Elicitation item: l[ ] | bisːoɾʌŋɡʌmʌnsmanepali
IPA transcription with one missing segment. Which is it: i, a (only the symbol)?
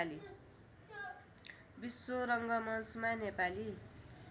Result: i